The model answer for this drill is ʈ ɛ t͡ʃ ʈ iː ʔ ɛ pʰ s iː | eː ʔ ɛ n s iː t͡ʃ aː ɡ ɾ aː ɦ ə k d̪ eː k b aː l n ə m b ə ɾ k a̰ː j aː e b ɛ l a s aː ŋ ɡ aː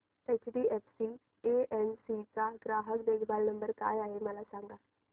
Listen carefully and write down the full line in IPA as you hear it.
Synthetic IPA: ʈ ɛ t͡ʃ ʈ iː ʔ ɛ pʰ s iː | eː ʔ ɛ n s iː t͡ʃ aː ɡ ɾ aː ɦ ə k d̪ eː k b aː l n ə m b ə ɾ k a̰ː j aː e m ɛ l a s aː ŋ ɡ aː